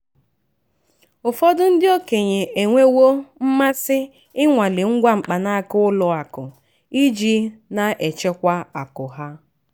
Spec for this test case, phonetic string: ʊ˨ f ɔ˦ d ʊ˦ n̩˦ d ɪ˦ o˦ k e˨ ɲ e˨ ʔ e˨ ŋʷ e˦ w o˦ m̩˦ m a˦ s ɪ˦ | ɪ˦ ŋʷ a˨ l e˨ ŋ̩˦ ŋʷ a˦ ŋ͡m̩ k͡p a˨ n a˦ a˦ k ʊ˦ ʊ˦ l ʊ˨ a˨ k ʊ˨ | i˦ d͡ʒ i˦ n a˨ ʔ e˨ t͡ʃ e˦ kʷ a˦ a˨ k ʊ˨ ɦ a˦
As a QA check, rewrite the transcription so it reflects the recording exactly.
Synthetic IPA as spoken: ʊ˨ f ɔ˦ d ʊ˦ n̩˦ d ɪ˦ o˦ k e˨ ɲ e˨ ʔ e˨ ŋʷ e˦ w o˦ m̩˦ m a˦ s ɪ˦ | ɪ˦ ŋʷ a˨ l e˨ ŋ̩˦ ɡʷ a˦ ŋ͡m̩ k͡p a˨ n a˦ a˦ k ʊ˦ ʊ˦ l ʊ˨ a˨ k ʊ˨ | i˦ d͡ʒ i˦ n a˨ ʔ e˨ t͡ʃ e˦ kʷ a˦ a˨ k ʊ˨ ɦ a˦